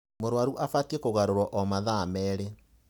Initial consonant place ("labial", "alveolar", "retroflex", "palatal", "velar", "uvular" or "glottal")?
labial